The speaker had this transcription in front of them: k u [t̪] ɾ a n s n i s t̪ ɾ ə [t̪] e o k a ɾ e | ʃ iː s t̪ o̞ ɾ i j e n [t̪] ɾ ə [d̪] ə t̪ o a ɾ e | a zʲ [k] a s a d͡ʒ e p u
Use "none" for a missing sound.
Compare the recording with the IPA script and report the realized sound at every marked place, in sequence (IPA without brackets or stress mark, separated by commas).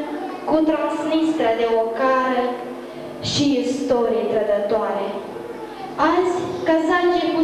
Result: t̪, d̪, t̪, d̪, k